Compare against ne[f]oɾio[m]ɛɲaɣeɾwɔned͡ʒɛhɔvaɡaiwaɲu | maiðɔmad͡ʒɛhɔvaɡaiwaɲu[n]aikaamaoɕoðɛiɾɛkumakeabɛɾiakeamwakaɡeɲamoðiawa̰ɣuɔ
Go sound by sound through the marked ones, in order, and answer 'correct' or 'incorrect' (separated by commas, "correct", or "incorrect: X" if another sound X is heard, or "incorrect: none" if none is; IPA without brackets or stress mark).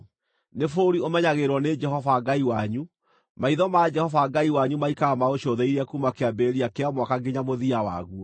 correct, correct, incorrect: m